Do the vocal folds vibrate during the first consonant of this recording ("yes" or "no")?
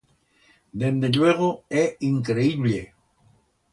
yes